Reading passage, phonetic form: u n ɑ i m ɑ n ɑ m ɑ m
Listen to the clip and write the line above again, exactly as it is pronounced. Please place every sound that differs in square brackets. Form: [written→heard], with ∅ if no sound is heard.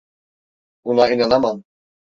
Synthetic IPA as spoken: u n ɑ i [m→n] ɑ n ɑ m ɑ [m→n]